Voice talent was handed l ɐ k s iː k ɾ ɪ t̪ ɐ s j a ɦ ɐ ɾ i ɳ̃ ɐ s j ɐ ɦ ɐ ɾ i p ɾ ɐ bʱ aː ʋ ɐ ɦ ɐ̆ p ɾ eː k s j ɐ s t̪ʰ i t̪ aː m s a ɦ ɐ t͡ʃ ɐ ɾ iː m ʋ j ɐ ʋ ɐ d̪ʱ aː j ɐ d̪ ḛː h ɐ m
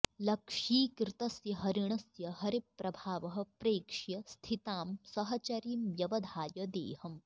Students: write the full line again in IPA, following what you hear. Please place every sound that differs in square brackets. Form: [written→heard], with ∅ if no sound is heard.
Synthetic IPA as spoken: l ɐ k [s→ʂ] iː k ɾ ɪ t̪ ɐ s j [a→ɐ] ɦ ɐ ɾ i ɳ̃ ɐ s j ɐ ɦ ɐ ɾ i p ɾ ɐ bʱ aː ʋ ɐ ɦ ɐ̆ p ɾ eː k [s→ʂ] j ɐ s t̪ʰ i t̪ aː m s [a→ɐ] ɦ ɐ t͡ʃ ɐ ɾ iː m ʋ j ɐ ʋ ɐ d̪ʱ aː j ɐ d̪ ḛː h ɐ m